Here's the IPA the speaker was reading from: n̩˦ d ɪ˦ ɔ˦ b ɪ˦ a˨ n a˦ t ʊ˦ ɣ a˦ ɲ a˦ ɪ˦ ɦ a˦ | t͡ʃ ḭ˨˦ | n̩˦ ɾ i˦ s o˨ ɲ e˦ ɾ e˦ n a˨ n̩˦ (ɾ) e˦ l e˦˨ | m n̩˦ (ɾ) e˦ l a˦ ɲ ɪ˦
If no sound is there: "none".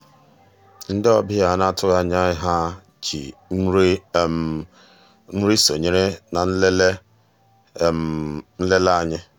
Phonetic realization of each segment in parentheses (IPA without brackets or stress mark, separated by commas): l, l